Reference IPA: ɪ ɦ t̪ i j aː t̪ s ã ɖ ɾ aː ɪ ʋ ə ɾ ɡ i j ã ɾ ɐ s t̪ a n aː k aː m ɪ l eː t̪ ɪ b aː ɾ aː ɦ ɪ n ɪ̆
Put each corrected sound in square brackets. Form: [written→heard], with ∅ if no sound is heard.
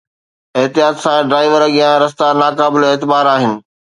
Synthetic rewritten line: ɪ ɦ t̪ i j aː t̪ s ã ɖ ɾ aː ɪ ʋ ə ɾ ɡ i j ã ɾ ɐ s t̪ a n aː k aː [m→b] ɪ l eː t̪ ɪ b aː ɾ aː ɦ ɪ n ɪ̆